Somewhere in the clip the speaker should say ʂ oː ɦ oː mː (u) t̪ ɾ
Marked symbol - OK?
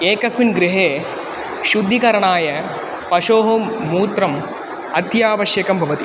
no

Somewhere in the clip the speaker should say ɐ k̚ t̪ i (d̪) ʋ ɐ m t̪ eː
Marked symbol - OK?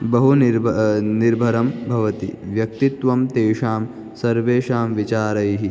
no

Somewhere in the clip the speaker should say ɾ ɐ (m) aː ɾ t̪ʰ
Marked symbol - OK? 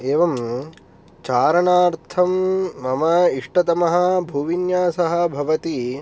no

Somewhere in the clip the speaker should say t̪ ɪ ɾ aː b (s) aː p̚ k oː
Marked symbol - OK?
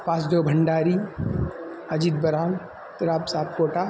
yes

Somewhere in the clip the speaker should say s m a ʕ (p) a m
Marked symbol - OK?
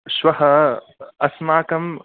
no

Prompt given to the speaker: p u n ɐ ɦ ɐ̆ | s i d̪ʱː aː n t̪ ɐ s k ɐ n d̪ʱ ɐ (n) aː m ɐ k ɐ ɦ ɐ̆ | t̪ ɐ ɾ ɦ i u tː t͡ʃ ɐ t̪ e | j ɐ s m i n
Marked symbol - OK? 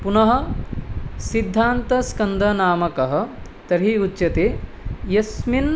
yes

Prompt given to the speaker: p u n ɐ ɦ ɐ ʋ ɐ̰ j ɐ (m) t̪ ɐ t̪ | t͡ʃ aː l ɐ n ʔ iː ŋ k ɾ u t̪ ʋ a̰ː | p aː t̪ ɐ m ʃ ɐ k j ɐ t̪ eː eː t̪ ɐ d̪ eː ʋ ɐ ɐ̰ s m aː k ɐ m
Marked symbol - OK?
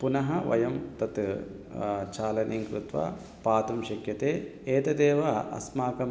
yes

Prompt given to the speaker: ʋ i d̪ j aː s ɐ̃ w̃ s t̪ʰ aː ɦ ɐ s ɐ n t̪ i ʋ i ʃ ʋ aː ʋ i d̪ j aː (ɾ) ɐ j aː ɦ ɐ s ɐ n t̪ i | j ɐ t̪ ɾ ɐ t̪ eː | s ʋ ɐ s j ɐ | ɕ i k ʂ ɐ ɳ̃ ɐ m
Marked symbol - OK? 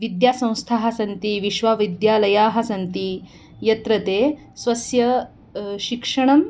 no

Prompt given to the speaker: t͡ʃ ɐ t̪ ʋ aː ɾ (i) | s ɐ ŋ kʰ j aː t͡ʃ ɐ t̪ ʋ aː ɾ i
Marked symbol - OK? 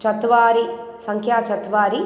yes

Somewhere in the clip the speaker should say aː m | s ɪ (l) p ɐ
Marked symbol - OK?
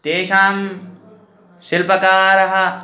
yes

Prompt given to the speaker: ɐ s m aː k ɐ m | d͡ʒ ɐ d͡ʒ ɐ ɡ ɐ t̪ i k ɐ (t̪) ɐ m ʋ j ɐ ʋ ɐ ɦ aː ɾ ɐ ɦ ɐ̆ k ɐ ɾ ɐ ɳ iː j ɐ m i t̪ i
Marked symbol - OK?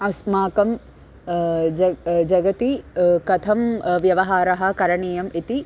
no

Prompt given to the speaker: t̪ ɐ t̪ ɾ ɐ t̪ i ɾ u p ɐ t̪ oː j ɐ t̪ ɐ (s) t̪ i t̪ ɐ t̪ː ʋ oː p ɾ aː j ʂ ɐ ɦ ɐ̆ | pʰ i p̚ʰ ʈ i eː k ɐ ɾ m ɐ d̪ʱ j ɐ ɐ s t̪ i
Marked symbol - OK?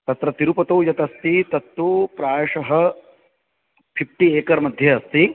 yes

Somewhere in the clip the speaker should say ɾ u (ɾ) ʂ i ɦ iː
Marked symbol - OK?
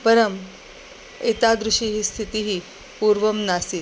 no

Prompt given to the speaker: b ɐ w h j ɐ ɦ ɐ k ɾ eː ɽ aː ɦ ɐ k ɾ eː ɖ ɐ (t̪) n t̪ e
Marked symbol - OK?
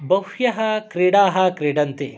no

